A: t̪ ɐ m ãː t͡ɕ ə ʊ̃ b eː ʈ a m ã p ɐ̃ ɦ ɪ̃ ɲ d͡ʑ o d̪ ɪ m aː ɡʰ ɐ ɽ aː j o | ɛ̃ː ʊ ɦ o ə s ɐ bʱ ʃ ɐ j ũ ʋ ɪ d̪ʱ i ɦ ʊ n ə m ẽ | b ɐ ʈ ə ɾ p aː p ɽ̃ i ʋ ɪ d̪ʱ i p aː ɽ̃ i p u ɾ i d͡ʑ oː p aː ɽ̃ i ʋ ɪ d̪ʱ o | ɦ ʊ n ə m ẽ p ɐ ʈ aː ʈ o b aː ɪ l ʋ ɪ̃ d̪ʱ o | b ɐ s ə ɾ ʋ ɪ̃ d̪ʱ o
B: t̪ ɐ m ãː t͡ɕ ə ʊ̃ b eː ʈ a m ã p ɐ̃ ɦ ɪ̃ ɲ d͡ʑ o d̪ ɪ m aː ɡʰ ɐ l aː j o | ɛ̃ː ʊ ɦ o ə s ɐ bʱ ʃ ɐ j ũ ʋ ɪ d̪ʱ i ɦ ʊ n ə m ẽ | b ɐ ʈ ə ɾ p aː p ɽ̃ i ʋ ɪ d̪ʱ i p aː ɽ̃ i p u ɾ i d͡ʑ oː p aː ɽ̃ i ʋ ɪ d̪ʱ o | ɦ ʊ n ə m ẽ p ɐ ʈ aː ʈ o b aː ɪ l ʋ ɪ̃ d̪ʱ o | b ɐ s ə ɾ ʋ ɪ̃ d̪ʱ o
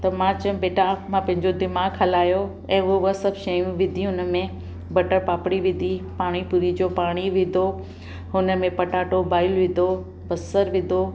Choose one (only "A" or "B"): B